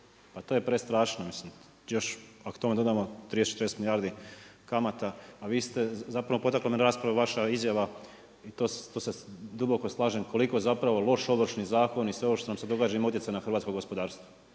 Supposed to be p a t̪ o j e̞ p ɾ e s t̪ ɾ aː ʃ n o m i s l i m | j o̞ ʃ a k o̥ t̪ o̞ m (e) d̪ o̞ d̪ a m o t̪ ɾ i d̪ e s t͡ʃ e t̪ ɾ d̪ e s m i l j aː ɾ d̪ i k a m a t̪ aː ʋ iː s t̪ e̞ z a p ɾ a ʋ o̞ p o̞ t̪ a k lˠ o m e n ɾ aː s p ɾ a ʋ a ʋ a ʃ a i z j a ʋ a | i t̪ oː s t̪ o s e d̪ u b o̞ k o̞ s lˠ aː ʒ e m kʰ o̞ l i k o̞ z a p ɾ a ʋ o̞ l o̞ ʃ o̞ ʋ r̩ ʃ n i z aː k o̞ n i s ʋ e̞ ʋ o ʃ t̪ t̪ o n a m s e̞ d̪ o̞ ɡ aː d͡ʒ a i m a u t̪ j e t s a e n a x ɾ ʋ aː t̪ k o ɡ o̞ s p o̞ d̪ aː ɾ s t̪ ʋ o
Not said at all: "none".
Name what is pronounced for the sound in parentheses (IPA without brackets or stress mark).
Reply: e